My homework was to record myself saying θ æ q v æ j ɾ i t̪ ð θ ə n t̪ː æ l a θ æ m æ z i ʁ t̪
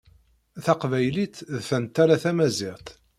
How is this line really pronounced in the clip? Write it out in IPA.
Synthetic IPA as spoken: θ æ q v æ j l i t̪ ð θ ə n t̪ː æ ɾ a θ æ m æ z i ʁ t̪